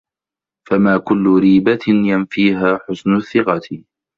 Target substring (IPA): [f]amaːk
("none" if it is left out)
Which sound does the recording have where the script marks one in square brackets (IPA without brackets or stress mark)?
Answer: f